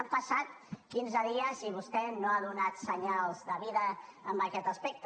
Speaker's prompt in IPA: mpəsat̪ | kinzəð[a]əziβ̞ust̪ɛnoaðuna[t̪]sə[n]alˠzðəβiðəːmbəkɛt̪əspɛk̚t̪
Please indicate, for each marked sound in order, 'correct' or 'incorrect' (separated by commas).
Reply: incorrect, correct, incorrect